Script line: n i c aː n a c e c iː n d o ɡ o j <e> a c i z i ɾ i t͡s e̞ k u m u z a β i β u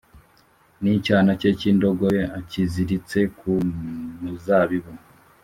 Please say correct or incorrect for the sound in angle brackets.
correct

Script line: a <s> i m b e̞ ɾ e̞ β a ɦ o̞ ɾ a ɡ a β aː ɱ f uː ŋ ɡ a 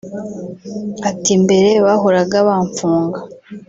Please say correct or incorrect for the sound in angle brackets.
incorrect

